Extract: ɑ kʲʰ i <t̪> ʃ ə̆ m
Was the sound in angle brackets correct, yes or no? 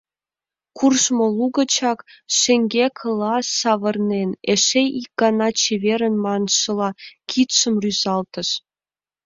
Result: yes